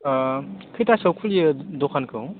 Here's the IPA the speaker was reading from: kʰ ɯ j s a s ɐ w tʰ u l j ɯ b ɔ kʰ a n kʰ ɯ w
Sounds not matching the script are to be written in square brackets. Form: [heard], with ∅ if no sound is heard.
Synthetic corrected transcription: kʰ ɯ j [t] a s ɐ w [kʰ] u l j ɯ [d] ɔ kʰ a n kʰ ɯ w

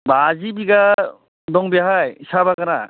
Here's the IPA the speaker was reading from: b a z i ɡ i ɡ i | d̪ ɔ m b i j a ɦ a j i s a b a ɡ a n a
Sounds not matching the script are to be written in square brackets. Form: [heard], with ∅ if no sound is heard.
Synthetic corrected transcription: b a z i [b] i ɡ [a] | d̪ ɔ [ŋ] b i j a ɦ a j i s a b a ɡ a n a

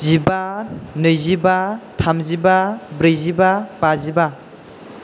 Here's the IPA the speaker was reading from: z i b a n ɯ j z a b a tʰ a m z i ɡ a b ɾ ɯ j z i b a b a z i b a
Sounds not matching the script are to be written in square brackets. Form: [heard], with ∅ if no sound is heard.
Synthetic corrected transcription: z i b a n ɯ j z [i] b a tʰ a m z i [b] a b ɾ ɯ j z i b a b a z i b a

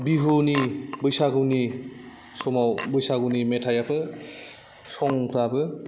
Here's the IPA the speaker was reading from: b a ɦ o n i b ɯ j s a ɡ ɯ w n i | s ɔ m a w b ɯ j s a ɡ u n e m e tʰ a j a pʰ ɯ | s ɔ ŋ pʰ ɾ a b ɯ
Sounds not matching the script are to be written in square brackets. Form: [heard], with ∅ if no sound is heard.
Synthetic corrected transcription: b [i] ɦ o n i b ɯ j s a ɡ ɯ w n i | s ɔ m a w b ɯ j s a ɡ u n [i] m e tʰ a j a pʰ ɯ | s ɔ ŋ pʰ ɾ a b ɯ

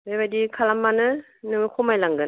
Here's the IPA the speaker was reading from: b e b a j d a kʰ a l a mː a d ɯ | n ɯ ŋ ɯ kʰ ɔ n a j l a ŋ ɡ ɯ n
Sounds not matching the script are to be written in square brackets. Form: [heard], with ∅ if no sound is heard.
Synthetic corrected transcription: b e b a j d [i] kʰ a l a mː a [n] ɯ | n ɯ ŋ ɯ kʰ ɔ [m] a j l a ŋ ɡ ɯ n

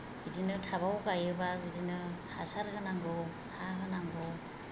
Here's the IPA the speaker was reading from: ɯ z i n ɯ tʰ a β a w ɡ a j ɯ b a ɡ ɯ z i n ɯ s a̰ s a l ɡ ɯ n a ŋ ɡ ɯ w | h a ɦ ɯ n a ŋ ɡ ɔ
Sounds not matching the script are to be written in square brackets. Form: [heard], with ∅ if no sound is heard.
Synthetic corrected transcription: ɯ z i n ɯ tʰ a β a w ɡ a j ɯ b a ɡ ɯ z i n ɯ [h] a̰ s a [ɾ] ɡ ɯ n a ŋ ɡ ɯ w | h a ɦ ɯ n a ŋ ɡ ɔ

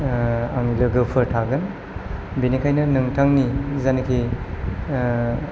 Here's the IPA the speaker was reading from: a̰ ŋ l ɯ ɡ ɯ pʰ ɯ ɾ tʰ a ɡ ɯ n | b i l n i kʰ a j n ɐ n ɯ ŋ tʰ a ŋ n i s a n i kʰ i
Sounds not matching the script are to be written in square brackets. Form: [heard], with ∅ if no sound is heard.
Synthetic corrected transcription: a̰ ŋ l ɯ ɡ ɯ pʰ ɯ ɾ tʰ a ɡ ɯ n | b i [∅] n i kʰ a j n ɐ n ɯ ŋ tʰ a ŋ n i [z] a n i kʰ i

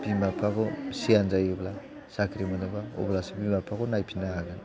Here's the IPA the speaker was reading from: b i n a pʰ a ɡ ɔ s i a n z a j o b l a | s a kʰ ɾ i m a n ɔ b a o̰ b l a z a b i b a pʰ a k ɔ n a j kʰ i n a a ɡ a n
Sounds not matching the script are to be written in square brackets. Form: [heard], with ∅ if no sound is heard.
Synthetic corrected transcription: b i [m] a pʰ a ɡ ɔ s i a n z a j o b l a | s a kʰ ɾ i m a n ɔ b a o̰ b l a [s] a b i [m] a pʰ a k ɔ n a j [pʰ] i n a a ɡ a n

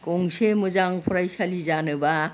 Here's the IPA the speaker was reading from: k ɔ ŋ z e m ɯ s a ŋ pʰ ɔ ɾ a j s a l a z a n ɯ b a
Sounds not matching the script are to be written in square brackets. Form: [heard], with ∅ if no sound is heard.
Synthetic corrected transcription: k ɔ ŋ [s] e m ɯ [z] a ŋ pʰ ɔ ɾ a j s a l [i] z a n ɯ b a

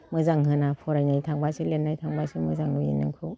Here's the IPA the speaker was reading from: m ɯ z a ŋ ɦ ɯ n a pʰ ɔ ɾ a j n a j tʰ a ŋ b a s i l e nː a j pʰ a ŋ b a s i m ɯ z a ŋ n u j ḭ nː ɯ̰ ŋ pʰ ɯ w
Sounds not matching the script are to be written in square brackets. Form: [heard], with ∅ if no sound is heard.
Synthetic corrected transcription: m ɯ z a ŋ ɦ ɯ n a pʰ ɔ ɾ a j n a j tʰ a ŋ b a s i l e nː a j [tʰ] a ŋ b a s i m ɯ z a ŋ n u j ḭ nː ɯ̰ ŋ [kʰ] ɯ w

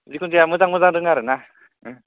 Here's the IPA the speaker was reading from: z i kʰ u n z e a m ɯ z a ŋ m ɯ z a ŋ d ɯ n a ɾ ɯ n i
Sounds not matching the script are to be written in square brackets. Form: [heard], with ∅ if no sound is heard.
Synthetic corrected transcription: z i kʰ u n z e a m ɯ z a ŋ m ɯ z a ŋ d ɯ [ŋ] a ɾ ɯ n [a]

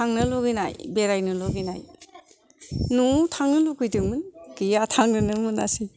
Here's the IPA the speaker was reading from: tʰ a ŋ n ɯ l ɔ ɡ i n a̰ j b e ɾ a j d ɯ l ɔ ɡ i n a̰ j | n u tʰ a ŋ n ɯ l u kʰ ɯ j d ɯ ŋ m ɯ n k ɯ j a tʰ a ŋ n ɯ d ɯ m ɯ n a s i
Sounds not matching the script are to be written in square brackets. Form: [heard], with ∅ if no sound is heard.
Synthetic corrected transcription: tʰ a ŋ n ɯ l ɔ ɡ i n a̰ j b e ɾ a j [n] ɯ l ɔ ɡ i n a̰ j | n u tʰ a ŋ n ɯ l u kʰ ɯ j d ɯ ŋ m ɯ n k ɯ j a tʰ a ŋ n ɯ [n] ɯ m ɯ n a s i

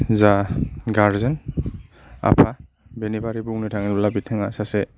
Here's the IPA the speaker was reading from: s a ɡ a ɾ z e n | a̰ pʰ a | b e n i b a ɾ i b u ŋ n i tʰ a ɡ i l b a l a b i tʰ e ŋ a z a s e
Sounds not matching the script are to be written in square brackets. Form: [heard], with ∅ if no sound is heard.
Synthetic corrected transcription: [z] a ɡ a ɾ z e n | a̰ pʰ a | b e n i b a ɾ i b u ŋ n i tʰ a [ŋ] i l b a l a b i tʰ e ŋ a [s] a s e

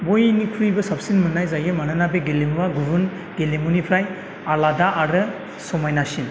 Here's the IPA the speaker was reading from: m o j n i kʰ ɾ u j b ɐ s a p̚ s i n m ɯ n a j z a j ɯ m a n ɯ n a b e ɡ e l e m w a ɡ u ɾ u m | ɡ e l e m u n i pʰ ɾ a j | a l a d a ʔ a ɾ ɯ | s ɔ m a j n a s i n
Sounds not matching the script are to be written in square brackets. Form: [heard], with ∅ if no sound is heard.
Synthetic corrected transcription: [b] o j n i kʰ ɾ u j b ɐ s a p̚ s i n m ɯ n a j z a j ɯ m a n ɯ n a b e ɡ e l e m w a ɡ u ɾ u [n] | ɡ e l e m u n i pʰ ɾ a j | a l a d a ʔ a ɾ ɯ | s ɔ m a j n a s i n

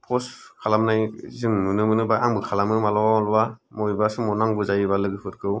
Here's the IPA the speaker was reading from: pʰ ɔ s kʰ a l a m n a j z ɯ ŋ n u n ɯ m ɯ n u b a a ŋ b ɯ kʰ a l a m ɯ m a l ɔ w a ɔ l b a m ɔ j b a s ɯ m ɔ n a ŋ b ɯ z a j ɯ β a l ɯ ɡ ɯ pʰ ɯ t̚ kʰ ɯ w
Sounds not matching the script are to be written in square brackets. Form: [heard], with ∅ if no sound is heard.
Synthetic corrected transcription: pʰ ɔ s kʰ a l a m n a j z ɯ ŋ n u n ɯ m ɯ n [ɯ] b a a ŋ b ɯ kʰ a l a m ɯ m a l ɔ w a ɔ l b a m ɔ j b a s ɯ m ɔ n a ŋ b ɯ z a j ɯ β a l ɯ ɡ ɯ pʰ ɯ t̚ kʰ ɯ w

